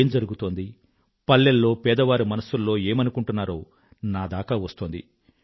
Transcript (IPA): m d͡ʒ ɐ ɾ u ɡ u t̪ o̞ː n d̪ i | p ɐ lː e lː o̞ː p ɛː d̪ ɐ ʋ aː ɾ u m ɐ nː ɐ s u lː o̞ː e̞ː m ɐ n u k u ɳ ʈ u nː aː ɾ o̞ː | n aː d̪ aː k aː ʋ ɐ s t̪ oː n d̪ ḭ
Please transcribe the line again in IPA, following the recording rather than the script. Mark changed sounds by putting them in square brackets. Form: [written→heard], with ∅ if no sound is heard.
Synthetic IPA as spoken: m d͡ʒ ɐ ɾ u ɡ u t̪ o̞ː n d̪ i | p ɐ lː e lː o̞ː p ɛː d̪ ɐ ʋ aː ɾ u m ɐ [nː→n] ɐ s u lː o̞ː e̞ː m ɐ n u k u ɳ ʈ u nː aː ɾ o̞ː | n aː d̪ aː k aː ʋ ɐ s t̪ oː n d̪ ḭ